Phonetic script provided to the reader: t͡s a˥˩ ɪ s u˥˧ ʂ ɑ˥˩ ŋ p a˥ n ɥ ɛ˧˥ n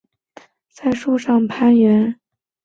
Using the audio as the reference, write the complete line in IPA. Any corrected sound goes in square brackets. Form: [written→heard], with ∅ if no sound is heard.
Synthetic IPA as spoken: t͡s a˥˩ ɪ [s→ʂ] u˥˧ ʂ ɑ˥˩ ŋ [p→pʰ] a˥ n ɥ ɛ˧˥ n